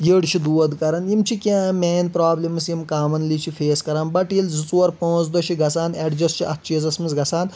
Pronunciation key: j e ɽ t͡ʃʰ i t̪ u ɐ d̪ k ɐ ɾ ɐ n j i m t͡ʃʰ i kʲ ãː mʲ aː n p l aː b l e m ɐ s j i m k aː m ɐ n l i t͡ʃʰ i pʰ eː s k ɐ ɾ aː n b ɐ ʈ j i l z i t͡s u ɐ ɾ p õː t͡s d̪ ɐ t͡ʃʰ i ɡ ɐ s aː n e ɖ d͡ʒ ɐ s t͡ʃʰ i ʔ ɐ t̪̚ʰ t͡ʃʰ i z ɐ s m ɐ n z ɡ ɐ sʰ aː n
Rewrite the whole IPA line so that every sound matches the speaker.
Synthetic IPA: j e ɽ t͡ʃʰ i d̪ u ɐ d̪ k ɐ ɾ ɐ n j i m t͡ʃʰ i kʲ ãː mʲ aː n p ɾ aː b l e m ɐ s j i m k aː m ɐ n l i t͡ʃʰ i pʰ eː s k ɐ ɾ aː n b ɐ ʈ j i l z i t͡s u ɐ ɾ p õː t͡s d̪ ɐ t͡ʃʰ i ɡ ɐ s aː n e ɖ d͡ʒ ɐ s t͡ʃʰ i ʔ ɐ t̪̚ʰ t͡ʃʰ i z ɐ s m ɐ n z ɡ ɐ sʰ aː n